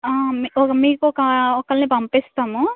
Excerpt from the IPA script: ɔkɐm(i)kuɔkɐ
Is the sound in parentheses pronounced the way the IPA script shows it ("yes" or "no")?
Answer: no